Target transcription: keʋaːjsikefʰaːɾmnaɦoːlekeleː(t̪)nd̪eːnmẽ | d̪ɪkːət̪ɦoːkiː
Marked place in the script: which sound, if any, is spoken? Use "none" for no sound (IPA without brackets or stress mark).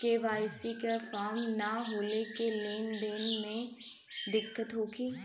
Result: none